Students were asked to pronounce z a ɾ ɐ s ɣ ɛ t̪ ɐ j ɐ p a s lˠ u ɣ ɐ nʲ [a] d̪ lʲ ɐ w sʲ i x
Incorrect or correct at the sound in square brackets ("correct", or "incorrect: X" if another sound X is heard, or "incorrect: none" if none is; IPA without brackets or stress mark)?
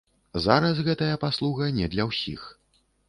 incorrect: ɛ